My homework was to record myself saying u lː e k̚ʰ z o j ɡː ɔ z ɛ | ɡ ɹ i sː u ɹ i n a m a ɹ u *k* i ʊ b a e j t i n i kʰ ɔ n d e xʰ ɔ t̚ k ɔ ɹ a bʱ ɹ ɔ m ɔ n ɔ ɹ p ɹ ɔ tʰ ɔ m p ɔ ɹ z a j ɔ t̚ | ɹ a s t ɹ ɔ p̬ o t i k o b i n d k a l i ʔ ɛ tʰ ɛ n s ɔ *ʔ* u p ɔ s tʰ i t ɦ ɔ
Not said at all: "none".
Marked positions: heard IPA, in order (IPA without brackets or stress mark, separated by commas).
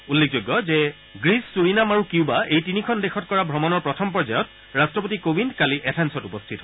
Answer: k, t